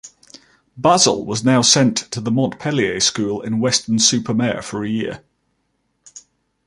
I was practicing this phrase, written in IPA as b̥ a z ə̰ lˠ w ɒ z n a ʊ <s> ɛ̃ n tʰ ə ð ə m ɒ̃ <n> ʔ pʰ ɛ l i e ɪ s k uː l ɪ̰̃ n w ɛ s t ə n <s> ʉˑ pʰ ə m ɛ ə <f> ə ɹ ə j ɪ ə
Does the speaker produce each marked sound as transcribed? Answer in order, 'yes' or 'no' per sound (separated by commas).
yes, yes, yes, yes